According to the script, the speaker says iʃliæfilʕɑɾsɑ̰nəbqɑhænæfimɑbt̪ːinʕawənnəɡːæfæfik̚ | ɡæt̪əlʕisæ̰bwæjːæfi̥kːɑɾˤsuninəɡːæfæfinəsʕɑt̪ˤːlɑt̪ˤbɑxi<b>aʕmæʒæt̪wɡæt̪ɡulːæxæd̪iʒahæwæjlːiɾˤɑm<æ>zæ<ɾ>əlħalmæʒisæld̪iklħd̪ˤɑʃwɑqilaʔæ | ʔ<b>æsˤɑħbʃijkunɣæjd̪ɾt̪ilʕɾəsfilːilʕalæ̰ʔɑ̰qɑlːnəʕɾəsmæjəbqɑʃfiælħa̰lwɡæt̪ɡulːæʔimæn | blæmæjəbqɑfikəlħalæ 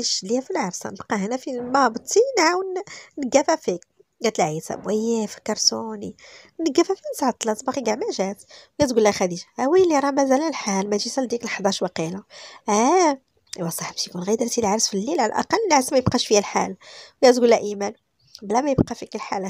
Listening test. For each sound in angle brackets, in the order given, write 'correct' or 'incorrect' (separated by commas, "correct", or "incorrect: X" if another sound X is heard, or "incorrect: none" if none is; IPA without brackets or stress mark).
incorrect: ɡ, correct, incorrect: l, incorrect: w